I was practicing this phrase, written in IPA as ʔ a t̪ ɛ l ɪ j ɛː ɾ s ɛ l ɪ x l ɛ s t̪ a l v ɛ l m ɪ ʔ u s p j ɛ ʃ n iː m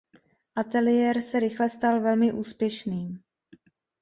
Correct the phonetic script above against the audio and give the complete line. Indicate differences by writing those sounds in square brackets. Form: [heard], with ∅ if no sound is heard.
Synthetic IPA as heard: ʔ a t̪ ɛ l ɪ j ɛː ɾ s ɛ [ɾ] ɪ x l ɛ s t̪ a l v ɛ l m ɪ ʔ [uː] s p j ɛ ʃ n iː m